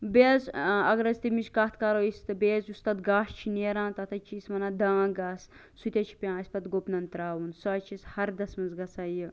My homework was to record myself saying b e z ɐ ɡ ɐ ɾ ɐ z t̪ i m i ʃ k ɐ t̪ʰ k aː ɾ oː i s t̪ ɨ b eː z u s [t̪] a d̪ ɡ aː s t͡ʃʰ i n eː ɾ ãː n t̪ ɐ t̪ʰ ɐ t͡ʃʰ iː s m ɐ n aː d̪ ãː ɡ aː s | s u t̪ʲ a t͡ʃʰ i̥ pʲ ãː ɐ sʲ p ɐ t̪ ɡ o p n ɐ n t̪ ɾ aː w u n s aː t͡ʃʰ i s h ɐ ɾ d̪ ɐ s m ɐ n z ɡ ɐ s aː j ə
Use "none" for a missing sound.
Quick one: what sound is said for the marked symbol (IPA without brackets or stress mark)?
t̪